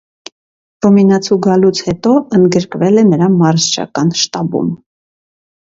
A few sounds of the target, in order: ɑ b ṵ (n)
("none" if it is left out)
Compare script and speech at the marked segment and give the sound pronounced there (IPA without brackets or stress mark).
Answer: m